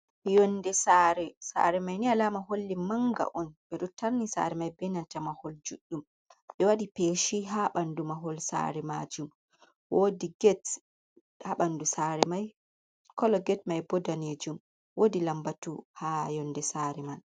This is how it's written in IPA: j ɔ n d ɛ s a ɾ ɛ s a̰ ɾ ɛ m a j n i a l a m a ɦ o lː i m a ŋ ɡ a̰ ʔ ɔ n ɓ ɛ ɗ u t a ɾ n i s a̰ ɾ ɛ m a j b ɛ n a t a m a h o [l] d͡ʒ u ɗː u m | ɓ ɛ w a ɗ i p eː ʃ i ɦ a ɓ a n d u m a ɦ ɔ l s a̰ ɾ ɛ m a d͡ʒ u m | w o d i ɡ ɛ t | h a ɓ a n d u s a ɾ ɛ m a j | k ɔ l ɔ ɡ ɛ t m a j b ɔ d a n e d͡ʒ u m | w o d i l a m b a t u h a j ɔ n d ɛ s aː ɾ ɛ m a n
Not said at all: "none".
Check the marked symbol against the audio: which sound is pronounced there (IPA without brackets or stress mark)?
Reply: l